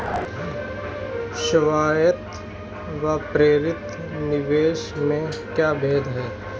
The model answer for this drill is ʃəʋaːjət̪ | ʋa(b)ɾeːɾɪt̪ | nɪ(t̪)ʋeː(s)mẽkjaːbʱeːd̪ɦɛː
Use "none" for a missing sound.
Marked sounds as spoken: p, none, ʃ

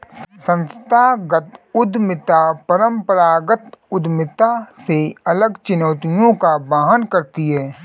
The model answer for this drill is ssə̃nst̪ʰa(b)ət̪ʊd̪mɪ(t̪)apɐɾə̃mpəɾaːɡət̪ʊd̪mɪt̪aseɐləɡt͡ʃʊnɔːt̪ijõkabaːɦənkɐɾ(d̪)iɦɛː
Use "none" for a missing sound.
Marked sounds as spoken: ɡ, t̪, t̪

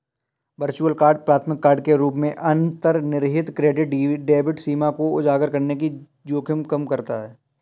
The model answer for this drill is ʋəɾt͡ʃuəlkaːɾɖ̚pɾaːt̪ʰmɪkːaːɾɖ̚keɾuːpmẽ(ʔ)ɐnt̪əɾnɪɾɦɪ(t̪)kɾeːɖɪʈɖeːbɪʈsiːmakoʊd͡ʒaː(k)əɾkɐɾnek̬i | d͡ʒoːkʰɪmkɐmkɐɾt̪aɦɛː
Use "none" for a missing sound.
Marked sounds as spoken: ʔ, t̪, ɡ

